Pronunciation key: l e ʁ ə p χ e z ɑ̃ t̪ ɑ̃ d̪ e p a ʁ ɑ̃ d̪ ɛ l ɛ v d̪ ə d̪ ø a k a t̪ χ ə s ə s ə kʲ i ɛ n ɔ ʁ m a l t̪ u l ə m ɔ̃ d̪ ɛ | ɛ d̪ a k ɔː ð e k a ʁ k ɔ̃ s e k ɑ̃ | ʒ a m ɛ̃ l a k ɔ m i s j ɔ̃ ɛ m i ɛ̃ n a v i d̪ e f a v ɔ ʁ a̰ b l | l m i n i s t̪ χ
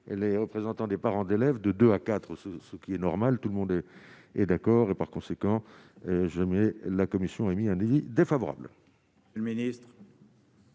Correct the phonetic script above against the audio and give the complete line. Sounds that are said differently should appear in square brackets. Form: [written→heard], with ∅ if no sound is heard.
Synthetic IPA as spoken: l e ʁ ə p χ e z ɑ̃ t̪ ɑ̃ d̪ e p a ʁ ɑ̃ d̪ [ɛ→e] l ɛ v d̪ ə d̪ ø a k a t̪ χ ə s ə s ə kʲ i ɛ n ɔ ʁ m a l t̪ u l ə m ɔ̃ d̪ ɛ | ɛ d̪ a k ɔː [ð→ʁ] e [k→p] a ʁ k ɔ̃ s e k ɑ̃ | ʒ a m [ɛ̃→ɛ] l a k ɔ m i s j ɔ̃ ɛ m i ɛ̃ n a v i d̪ e f a v ɔ ʁ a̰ b l | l m i n i s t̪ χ